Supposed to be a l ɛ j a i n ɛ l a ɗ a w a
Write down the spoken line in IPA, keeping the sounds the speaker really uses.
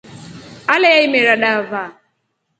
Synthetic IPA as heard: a l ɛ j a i m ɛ ɾ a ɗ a v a